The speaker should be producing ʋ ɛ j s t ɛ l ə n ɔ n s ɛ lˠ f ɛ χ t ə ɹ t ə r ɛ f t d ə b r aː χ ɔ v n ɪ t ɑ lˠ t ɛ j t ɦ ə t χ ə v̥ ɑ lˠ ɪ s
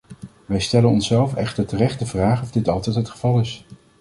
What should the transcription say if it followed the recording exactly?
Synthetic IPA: ʋ ɛ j s t ɛ l ə n ɔ n s ɛ lˠ f ɛ χ t ə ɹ t ə r ɛ χ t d ə v r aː χ ɔ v d ɪ t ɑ lˠ t ɛ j t ɦ ə t χ ə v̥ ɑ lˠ ɪ s

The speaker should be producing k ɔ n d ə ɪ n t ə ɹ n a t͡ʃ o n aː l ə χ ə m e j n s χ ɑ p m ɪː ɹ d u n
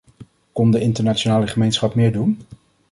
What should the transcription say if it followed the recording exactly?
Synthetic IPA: k ɔ n d ə ɪ n t ə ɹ n a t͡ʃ o n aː l ə χ ə m e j n s χ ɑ p m ɪː ɹ d u n

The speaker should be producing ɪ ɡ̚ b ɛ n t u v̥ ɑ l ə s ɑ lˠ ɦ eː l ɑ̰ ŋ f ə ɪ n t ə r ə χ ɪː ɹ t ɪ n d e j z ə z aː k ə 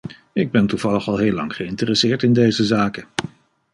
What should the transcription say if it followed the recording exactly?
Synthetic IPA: ɪ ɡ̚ b ɛ n t u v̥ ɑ l ə χ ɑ lˠ ɦ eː l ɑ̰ ŋ χ ə ɪ n t ə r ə s ɪː ɹ t ɪ n d e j z ə z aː k ə

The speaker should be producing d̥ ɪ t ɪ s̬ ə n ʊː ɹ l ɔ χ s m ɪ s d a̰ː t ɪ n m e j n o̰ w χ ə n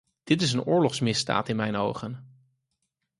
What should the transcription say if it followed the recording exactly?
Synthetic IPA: d̥ ɪ t ɪ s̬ ə n ʊː ɹ l ɔ χ s m ɪ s d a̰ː t ɪ n m ɛ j n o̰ w χ ə n

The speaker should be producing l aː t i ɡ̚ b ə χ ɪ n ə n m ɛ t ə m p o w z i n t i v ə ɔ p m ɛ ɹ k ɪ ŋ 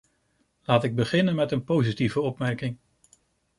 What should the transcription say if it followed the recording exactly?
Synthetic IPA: l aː t ɪ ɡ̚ b ə χ ɪ n ə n m ɛ t ə n p o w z i t i v ə ɔ p m ɛ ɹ k ɪ ŋ

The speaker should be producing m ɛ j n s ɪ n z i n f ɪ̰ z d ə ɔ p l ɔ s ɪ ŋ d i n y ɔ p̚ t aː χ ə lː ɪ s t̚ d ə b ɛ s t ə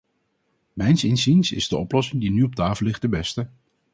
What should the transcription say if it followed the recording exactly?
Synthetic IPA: m ɛ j n s ɪ n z i n s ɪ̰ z d ə ɔ p l ɔ s ɪ ŋ d i n y ɔ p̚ t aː f ə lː ɪ χ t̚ d ə b ɛ s t ə

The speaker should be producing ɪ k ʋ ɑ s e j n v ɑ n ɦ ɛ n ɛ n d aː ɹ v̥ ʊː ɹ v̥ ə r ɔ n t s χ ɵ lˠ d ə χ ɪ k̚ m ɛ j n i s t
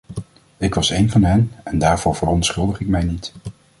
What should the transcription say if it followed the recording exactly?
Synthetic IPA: ɪ k ʋ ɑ s e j n v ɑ n ɦ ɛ n ɛ n d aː ɹ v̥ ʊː ɹ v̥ ə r ɔ n t s χ ɵ lˠ d ə χ ɪ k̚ m ɛ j n i t

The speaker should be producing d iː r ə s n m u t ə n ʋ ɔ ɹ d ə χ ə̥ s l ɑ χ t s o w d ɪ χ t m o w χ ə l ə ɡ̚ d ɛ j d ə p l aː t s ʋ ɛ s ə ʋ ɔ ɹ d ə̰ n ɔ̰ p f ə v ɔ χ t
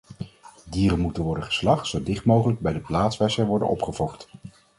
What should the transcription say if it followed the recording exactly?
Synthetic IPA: d iː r ə n m u t ə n ʋ ɔ ɹ d ə χ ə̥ s l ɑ χ t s o w d ɪ χ t m o w χ ə l ə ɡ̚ b ɛ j d ə p l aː t s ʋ ɛ s ə ʋ ɔ ɹ d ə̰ n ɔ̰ p χ ə v ɔ χ t

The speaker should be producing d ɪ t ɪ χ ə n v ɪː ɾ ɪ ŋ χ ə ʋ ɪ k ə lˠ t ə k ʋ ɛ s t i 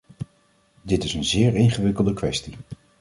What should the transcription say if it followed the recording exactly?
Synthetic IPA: d ɪ t ɪ s ə n z ɪː ɹ ɪ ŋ χ ə ʋ ɪ k ə lˠ d ə k ʋ ɛ s t i

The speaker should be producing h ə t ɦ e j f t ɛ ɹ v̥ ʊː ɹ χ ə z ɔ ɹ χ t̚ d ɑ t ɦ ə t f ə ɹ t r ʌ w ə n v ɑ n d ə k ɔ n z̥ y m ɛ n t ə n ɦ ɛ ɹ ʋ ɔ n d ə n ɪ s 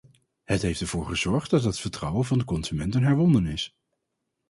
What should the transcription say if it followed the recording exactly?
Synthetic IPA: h ə t ɦ e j f t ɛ ɹ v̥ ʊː ɹ χ ə z ɔ ɹ χ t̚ d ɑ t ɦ ə t f ə ɹ t r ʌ w ə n v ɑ n d ə k ɔ n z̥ y m ɛ n t ə n ɦ ɛ ɹ ʋ ɔ n d ə n ɪ s

